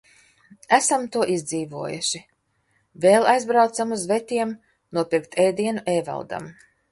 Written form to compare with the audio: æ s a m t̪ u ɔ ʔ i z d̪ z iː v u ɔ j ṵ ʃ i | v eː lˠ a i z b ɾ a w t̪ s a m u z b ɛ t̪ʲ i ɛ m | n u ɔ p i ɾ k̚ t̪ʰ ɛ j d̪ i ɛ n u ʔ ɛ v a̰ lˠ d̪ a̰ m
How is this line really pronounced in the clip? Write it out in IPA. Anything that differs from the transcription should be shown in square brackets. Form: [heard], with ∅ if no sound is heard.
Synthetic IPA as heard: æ s a m t̪ u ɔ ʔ i z d̪ z iː v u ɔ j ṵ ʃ i | v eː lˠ a [j] z b ɾ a w t̪ s a m u z [v] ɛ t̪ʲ i ɛ m | n u ɔ p i ɾ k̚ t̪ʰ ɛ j d̪ i ɛ n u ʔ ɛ v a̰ lˠ d̪ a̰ m